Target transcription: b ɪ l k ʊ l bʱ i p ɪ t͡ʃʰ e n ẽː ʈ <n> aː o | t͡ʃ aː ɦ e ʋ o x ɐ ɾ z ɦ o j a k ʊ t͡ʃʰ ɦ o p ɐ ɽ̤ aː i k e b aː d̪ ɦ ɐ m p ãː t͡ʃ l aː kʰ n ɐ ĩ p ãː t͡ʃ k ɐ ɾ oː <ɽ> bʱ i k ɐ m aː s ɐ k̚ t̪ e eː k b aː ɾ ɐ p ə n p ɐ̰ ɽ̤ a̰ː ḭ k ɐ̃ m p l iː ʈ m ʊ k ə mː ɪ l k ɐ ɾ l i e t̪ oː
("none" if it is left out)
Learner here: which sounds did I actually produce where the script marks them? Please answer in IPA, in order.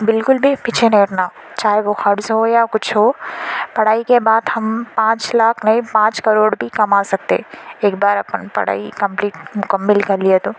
n, ɽ

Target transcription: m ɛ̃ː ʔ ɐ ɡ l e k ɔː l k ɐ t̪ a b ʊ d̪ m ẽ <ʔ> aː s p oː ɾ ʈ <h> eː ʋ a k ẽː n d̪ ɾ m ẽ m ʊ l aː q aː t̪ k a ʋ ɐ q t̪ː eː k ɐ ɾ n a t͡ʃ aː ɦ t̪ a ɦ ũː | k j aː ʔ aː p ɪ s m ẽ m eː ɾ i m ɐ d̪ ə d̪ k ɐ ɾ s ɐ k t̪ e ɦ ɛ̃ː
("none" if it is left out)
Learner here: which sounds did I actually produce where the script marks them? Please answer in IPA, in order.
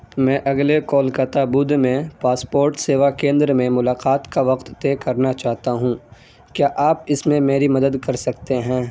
p, s

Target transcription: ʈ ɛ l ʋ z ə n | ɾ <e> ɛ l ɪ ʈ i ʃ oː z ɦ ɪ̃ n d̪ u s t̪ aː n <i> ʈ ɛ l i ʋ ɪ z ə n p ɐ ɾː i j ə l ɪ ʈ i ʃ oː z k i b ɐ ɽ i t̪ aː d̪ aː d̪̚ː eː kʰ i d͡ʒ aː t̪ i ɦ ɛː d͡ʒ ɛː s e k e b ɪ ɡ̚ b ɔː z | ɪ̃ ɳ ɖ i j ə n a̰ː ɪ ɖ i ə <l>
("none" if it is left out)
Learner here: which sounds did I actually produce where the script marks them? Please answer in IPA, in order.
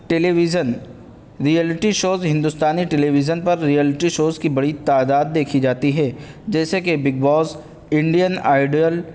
i, i, l

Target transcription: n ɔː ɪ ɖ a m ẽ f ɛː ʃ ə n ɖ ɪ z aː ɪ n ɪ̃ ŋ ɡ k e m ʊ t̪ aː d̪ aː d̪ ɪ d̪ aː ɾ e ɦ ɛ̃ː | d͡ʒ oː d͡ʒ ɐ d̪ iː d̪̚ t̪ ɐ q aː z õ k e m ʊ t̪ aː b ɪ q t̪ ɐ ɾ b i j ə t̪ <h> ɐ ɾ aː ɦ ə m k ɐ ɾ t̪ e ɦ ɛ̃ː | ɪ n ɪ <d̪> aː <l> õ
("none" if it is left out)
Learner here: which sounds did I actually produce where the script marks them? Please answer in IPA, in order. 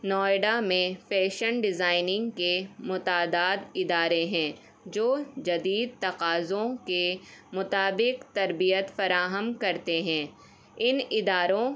f, d̪, ɾ

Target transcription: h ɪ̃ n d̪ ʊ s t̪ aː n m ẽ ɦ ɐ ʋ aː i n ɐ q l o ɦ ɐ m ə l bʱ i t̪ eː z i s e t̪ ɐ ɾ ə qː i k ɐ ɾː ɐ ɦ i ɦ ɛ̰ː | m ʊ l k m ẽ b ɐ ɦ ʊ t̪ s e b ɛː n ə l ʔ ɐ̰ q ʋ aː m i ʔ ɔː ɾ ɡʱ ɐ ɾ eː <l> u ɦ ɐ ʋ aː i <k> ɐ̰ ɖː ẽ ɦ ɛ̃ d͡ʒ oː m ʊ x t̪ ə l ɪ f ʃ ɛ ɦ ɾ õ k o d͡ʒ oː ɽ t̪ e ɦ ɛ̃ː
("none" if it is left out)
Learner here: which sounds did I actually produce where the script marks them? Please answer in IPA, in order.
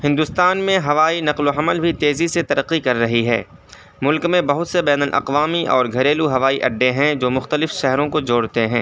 l, ʔ

